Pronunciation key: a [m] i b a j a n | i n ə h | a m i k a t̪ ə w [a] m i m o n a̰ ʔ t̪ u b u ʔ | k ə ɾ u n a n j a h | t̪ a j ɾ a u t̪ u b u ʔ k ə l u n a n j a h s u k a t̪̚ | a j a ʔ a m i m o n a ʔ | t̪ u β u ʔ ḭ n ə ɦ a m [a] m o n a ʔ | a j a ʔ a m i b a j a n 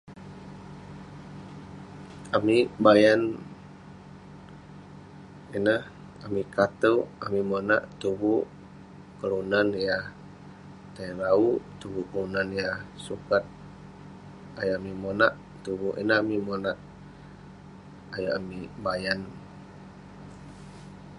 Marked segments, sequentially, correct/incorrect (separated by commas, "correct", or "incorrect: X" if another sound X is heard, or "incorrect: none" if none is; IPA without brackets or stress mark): correct, correct, incorrect: i